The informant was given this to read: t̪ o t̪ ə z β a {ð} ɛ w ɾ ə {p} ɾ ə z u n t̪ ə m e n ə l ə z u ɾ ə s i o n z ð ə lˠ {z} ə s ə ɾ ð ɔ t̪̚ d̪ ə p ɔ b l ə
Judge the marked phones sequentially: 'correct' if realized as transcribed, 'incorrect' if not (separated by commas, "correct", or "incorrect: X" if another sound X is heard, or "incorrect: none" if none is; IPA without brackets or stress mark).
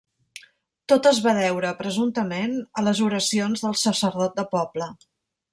correct, correct, incorrect: s